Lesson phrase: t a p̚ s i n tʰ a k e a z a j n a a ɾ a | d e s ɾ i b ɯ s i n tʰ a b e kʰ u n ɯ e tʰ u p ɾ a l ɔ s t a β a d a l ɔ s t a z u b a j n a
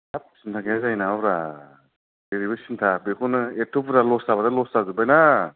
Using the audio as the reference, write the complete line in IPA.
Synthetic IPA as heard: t a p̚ s i n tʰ a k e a z a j n a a ɾ a | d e ɾ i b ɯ s i n tʰ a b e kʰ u n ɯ e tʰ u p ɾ a l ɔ s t a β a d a l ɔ s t a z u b a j n a